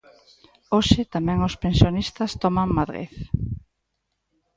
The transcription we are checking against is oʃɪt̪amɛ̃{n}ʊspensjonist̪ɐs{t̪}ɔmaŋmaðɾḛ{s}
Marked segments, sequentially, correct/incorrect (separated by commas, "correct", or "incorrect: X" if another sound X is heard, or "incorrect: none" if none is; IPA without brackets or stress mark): incorrect: ŋ, correct, incorrect: θ